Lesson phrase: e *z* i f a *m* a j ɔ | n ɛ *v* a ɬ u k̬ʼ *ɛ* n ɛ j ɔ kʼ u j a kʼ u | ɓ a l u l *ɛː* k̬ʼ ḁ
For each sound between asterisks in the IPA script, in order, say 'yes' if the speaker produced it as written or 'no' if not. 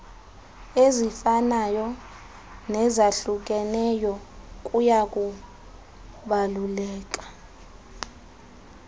yes, no, no, yes, yes

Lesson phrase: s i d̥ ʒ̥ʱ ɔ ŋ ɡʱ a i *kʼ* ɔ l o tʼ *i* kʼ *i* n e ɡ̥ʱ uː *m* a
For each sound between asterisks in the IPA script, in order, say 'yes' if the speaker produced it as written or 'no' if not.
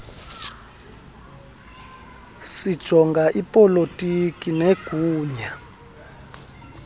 no, yes, yes, no

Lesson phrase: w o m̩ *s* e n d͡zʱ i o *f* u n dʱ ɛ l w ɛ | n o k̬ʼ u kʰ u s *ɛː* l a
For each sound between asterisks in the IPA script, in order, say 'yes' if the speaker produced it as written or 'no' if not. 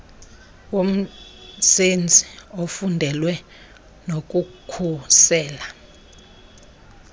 yes, yes, yes

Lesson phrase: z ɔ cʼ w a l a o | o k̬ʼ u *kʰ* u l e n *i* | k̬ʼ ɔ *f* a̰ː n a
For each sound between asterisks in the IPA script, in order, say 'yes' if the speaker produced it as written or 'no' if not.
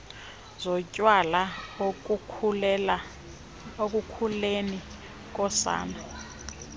yes, yes, no

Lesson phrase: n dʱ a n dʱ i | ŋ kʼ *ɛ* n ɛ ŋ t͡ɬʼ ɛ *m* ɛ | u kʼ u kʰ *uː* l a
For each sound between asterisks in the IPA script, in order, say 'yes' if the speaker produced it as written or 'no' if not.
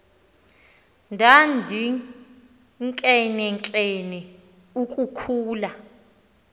yes, no, yes

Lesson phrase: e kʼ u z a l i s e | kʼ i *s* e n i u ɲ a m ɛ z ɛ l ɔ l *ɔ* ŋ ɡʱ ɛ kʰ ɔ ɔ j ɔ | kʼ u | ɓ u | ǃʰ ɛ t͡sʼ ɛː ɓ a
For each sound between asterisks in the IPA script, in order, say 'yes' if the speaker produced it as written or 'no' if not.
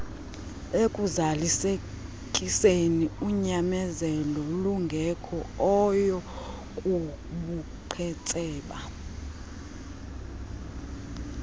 yes, no

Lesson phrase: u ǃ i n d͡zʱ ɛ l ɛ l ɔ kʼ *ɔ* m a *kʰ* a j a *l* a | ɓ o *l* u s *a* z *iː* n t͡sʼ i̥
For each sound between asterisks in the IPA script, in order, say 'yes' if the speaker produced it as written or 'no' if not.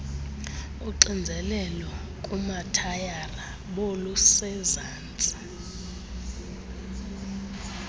no, no, no, yes, no, no

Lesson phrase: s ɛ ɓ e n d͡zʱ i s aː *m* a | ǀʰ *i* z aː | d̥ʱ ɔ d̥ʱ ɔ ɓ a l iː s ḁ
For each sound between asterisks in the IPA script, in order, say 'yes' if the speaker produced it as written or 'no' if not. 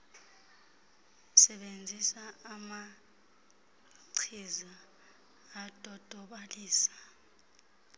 yes, yes

